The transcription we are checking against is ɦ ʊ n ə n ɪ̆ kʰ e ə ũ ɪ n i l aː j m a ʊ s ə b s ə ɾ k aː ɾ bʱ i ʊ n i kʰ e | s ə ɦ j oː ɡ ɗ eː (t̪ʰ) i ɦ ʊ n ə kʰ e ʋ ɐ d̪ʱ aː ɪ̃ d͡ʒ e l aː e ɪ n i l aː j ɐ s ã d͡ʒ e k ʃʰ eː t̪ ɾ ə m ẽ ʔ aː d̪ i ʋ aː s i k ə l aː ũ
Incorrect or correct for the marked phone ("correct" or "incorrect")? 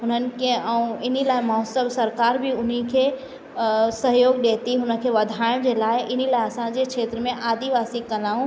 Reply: incorrect